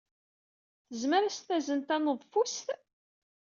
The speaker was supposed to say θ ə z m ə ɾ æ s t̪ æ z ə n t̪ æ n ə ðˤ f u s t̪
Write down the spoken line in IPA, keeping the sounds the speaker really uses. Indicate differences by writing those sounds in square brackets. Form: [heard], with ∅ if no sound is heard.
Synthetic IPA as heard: θ ə z m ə ɾ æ s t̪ æ z ə n t̪ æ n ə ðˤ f u s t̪